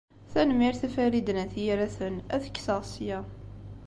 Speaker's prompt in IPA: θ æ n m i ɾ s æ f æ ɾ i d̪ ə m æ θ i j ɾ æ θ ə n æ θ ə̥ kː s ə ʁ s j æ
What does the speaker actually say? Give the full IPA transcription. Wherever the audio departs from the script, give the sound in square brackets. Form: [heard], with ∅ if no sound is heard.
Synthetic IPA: θ æ n m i ɾ [θ] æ f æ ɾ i d̪ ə [n] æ θ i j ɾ æ θ ə n æ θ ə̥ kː s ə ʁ s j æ